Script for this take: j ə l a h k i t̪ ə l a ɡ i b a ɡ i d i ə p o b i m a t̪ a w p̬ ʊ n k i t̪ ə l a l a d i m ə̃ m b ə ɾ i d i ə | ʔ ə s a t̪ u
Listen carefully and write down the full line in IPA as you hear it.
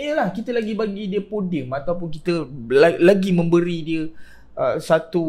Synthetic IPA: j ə l a h k i t̪ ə l a ɡ i b a ɡ i d i ə p o d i m a t̪ a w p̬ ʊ n k i t̪ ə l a l a ɡ i m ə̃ m b ə ɾ i d i ə | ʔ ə s a t̪ u